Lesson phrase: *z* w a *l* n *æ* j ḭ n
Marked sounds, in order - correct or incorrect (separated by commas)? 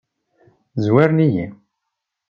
correct, incorrect, incorrect